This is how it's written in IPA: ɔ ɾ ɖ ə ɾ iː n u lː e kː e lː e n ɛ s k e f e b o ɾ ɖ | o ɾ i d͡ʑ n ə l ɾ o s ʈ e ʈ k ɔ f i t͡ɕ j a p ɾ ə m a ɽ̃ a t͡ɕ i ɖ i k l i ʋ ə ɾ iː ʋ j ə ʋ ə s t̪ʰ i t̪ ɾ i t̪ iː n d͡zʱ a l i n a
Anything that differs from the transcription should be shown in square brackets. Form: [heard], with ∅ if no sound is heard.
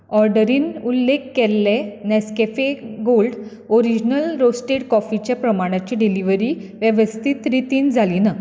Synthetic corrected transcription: ɔ ɾ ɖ ə ɾ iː n u lː e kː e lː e n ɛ s k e f e [ɡ] o [l] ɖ | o ɾ i d͡ʑ n ə l ɾ o s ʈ e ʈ k ɔ f i t͡ɕ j a p ɾ ə m a ɽ̃ a t͡ɕ i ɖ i [∅] l i ʋ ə ɾ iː ʋ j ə ʋ ə s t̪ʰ i t̪ ɾ i t̪ iː n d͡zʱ a l i n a